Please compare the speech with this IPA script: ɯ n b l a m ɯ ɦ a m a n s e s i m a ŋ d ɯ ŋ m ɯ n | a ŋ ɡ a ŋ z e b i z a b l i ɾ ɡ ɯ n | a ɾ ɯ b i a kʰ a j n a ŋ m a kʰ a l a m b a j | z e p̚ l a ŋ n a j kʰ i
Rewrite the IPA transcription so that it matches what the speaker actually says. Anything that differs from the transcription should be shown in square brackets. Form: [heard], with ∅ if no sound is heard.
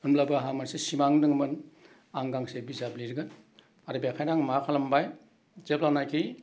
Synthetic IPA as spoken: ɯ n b l a [b] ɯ ɦ a m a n s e s i m a ŋ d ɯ ŋ m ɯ n | a ŋ ɡ a ŋ [s] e b i z a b l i ɾ ɡ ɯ n | a ɾ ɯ b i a kʰ a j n a ŋ m a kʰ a l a m b a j | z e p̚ l a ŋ n a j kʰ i